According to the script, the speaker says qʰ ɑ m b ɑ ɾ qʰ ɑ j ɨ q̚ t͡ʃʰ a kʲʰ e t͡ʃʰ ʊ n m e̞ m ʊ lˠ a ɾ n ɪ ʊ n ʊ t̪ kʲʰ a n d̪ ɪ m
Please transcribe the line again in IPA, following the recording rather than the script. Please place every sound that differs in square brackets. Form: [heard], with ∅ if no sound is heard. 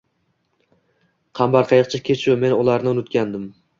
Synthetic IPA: qʰ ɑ m b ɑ ɾ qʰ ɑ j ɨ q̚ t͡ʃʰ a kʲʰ e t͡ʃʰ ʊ [∅] m e̞ [n] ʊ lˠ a ɾ n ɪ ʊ n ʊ t̪ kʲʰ a n d̪ ɪ m